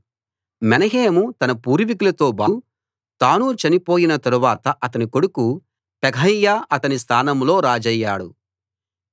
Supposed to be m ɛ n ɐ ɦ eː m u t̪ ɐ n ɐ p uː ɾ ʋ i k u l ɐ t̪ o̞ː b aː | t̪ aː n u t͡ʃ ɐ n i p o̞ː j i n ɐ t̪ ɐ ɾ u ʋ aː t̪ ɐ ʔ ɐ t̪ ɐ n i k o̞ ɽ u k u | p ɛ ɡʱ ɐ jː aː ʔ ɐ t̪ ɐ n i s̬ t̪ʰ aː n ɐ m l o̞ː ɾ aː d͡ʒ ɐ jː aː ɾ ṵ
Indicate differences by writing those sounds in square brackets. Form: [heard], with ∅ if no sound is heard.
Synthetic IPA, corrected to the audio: m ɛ n ɐ ɦ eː m u t̪ ɐ n ɐ p uː ɾ ʋ i k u l ɐ t̪ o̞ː b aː | t̪ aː n u t͡ʃ ɐ n i p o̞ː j i n ɐ t̪ ɐ ɾ u ʋ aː t̪ ɐ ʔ ɐ t̪ ɐ n i k o̞ ɽ u k u | p ɛ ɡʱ ɐ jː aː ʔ ɐ t̪ ɐ n i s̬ t̪ʰ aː n ɐ m l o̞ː ɾ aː d͡ʒ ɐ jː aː [ɽ] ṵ